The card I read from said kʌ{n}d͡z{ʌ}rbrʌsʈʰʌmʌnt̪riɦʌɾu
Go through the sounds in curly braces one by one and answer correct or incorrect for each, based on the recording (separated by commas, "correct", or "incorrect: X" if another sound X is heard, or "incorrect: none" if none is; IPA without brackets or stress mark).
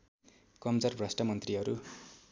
incorrect: m, correct